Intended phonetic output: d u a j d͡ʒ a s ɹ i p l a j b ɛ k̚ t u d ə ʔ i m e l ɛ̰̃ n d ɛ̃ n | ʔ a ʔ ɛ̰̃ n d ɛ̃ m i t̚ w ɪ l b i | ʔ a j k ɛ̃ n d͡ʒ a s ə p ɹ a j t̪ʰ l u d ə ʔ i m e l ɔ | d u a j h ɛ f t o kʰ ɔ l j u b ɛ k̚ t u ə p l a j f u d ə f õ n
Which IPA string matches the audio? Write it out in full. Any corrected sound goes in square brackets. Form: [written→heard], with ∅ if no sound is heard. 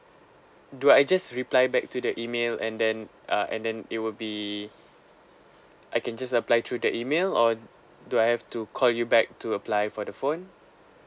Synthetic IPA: d u a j d͡ʒ a s ɹ i p l a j b ɛ k̚ t u d ə ʔ i m e l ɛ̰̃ n d ɛ̃ n | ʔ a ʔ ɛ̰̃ n d ɛ̃ [m→n] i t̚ w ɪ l b i | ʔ a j k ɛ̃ n d͡ʒ a s ə p [ɹ→l] a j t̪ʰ [l→ɹ] u d ə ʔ i m e l ɔ | d u a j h ɛ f t [o→u] kʰ ɔ l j u b ɛ k̚ t u ə p l a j f [u→ɔ] d ə f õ n